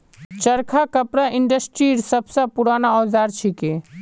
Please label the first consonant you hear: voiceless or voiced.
voiceless